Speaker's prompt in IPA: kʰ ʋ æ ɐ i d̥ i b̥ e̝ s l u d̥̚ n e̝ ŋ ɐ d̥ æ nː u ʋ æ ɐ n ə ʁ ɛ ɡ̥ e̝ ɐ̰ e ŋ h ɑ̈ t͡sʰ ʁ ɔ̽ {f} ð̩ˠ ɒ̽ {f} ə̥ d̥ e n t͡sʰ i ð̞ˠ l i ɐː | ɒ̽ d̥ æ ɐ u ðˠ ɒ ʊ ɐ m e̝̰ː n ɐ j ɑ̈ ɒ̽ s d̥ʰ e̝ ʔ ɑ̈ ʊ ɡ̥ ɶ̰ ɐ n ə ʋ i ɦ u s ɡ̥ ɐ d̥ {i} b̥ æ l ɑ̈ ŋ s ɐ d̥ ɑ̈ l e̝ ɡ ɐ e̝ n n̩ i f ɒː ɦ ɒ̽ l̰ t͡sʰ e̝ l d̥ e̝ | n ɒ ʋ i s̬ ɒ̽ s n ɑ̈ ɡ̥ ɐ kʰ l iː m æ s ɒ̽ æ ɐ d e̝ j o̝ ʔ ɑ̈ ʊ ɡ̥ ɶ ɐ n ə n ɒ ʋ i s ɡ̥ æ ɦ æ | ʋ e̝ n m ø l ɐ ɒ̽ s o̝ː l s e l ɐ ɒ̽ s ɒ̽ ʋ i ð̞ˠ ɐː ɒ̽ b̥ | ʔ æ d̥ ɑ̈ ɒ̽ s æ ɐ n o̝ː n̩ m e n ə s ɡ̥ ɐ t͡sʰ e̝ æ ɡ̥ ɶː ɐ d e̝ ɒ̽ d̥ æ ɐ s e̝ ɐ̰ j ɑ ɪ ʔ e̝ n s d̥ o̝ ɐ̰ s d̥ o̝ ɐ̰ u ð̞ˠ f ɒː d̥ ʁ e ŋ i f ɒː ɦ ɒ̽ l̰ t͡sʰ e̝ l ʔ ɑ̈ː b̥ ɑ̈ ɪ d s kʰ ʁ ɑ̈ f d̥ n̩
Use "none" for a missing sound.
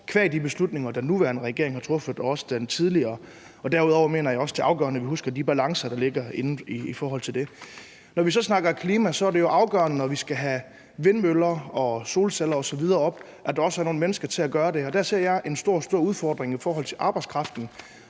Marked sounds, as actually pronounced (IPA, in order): f, s, i

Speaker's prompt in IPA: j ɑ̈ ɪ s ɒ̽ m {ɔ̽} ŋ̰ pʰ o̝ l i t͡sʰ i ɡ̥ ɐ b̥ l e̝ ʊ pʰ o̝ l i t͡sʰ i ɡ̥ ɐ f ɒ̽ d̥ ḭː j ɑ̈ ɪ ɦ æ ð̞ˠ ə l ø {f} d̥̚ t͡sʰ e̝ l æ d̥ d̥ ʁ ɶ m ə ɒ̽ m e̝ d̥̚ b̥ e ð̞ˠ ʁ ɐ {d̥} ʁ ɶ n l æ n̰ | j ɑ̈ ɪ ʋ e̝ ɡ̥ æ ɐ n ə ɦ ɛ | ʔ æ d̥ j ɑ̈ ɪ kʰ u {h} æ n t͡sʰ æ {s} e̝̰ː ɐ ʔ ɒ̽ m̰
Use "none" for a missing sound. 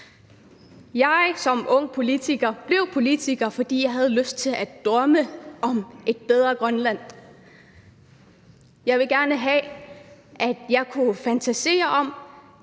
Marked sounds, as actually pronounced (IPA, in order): ɔ̽, s, ɡ̥, f, s

